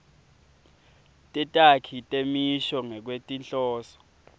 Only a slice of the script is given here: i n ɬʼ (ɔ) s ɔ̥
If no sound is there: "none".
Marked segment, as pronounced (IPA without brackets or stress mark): ɔː